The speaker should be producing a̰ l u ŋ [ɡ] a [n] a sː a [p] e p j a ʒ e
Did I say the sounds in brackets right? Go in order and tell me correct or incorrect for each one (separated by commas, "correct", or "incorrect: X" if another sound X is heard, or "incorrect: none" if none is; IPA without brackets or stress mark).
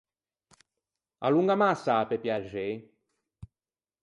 correct, incorrect: m, correct